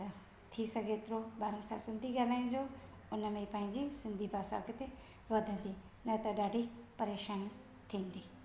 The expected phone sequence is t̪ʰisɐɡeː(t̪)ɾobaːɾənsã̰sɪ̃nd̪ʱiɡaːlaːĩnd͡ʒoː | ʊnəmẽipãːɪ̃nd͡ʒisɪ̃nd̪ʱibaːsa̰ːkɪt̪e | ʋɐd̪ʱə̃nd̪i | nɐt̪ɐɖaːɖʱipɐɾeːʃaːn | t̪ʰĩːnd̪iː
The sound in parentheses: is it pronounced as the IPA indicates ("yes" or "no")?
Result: yes